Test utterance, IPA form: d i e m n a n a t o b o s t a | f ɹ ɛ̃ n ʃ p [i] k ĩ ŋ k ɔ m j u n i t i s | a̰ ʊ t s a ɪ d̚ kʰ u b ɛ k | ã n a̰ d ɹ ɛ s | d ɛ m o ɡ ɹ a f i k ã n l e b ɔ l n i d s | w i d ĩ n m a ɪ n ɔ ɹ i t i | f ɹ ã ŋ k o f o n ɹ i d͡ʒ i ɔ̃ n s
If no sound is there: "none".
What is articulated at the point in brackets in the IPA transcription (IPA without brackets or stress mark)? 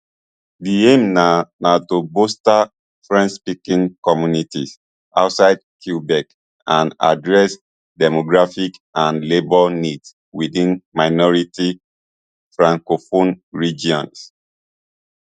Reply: i